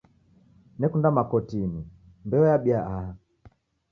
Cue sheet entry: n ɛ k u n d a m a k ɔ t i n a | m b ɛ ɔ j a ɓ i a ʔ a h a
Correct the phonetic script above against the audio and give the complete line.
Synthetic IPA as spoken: n ɛ k u n d a m a k ɔ t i n i | m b ɛ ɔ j a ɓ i a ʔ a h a